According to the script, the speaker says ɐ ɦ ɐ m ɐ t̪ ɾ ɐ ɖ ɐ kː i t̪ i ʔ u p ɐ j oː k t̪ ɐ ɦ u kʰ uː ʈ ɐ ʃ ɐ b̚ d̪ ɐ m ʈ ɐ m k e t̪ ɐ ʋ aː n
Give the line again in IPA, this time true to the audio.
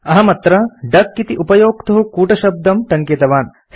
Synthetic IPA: ɐ ɦ ɐ m ɐ t̪ ɾ ɐ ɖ ɐ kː i t̪ i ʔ u p ɐ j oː k t̪ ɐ ɦ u k uː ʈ ɐ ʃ ɐ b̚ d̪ ɐ m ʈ ɐ ŋ k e t̪ ɐ ʋ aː n